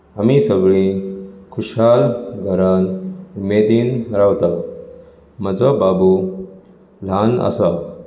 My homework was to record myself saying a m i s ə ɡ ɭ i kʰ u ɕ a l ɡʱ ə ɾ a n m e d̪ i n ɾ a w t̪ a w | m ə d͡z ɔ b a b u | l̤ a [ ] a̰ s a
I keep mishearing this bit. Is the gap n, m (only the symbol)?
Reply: n